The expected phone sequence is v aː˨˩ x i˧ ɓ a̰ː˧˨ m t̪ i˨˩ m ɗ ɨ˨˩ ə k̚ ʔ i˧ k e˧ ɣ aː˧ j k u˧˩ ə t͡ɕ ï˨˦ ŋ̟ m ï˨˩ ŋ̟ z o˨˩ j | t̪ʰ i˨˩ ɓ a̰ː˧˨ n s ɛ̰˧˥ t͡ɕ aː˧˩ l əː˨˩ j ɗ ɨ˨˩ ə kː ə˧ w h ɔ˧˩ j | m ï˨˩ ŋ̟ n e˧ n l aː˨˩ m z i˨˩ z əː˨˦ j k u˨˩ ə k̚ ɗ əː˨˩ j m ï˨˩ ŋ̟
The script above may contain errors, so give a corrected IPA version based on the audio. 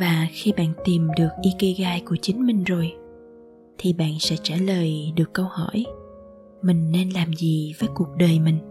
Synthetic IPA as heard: v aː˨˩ x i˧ ɓ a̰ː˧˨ n t̪ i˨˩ m ɗ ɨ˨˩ ə k̚ ʔ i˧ k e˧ ɣ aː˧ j k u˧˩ ə t͡ɕ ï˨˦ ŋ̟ m ï˨˩ ŋ̟ z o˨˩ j | t̪ʰ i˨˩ ɓ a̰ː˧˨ n s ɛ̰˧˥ t͡ɕ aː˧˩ l əː˨˩ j ɗ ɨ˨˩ ə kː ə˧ w h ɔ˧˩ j | m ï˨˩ ŋ̟ n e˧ n l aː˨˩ m z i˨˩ v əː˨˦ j k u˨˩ ə k̚ ɗ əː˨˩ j m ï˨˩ ŋ̟